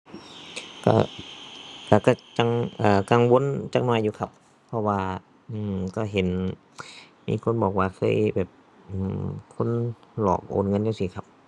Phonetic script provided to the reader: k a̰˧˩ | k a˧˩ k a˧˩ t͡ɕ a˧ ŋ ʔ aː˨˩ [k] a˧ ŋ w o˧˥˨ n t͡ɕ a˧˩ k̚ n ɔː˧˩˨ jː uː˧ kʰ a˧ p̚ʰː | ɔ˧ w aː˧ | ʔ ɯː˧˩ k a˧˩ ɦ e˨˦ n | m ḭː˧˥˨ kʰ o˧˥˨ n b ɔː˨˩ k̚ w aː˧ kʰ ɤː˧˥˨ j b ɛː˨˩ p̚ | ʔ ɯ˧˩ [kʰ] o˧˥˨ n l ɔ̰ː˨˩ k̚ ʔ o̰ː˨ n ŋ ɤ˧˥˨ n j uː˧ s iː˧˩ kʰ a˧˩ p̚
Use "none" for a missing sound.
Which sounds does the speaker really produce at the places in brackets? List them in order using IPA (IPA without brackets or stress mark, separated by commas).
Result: k, kʰ